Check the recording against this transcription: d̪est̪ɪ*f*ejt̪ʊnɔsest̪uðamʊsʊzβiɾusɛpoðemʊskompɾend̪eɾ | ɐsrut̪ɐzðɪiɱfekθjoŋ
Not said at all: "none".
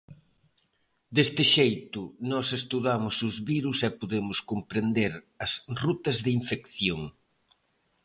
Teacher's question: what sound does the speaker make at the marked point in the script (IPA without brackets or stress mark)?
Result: ʃ